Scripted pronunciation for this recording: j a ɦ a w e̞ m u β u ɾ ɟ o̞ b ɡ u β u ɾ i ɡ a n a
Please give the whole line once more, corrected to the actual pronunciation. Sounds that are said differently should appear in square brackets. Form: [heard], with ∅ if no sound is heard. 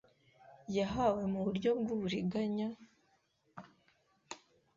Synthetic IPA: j a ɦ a w e̞ m u β u ɾ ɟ o̞ b ɡ u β u ɾ i ɡ a [ɲ] a